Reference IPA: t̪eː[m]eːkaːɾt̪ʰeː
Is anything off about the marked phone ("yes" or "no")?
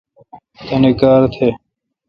yes